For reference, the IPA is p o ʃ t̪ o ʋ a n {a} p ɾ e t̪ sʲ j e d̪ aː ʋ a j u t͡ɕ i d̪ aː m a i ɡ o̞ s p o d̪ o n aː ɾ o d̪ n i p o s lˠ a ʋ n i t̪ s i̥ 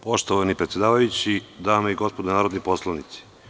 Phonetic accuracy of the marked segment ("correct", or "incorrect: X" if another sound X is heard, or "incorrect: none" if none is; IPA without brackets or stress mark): incorrect: i